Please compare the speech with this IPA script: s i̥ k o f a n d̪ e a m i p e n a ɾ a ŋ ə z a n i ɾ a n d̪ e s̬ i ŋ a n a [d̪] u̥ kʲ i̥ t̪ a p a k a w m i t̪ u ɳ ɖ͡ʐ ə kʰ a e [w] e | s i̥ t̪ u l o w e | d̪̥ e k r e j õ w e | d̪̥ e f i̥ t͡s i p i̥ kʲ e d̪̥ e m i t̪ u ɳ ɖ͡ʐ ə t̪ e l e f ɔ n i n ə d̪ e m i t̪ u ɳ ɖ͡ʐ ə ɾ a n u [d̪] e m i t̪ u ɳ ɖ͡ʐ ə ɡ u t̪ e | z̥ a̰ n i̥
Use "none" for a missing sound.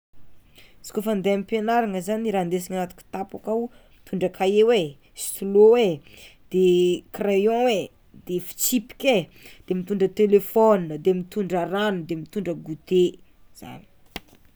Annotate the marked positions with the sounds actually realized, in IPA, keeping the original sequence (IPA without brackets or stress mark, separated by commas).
t̪, w, d̪